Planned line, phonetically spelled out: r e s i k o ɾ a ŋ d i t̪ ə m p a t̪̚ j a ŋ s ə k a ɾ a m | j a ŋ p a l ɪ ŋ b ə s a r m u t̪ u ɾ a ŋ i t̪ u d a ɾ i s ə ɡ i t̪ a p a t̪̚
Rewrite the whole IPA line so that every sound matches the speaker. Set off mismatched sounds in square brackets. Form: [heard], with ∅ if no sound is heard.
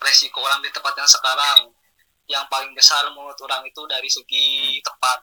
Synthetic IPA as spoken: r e s i k o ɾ a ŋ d i t̪ ə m p a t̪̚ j a ŋ s ə k a ɾ a [ŋ] | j a ŋ p a l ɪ ŋ b ə s a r m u t̪ u ɾ a ŋ i t̪ u d a ɾ i s ə ɡ i t̪ [ə] p a t̪̚